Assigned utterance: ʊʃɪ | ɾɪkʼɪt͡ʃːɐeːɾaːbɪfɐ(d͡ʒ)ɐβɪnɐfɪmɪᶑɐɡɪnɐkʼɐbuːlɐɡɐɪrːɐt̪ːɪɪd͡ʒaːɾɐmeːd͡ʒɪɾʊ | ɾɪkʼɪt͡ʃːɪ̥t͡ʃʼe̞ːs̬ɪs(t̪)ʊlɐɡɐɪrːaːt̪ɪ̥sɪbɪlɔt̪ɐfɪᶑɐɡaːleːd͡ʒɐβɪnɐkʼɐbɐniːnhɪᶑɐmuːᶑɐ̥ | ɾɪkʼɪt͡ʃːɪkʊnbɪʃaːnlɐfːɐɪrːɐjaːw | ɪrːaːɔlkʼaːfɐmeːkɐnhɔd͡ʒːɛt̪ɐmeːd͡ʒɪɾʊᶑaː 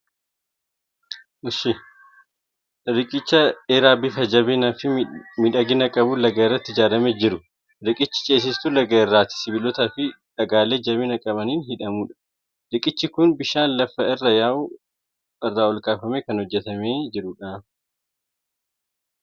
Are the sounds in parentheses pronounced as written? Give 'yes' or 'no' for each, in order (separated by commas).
yes, yes